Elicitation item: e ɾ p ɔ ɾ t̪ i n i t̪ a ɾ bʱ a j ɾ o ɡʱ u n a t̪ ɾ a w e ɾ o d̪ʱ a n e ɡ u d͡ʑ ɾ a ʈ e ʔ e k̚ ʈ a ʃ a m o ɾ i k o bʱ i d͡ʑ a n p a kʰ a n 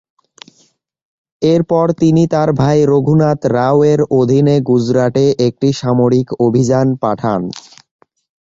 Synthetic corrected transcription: e ɾ p ɔ ɾ t̪ i n i t̪ a ɾ bʱ a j ɾ o ɡʱ u n a t̪ ɾ a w e ɾ o d̪ʱ i n e ɡ u d͡ʑ ɾ a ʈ e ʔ e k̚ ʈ i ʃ a m o ɾ i k o bʱ i d͡ʑ a n p a ʈʰ a n